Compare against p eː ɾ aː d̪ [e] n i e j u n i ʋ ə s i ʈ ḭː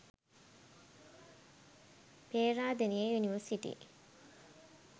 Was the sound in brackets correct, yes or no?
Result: yes